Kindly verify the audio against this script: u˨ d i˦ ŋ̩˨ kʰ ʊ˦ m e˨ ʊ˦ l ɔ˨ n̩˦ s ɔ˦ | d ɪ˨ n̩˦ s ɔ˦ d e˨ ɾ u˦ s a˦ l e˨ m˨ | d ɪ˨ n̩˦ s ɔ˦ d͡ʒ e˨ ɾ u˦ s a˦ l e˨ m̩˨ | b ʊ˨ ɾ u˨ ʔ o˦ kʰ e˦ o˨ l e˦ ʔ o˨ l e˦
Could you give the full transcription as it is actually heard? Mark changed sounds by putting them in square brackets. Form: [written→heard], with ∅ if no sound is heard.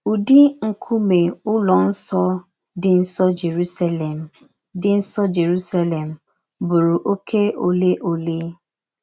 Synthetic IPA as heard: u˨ d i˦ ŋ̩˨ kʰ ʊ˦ m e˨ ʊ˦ l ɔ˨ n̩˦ s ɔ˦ | d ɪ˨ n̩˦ s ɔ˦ [d→d͡ʒ] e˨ ɾ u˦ s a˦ l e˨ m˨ | d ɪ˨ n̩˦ s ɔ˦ d͡ʒ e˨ ɾ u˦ s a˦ l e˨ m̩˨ | b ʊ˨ ɾ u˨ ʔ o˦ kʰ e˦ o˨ l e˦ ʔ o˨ l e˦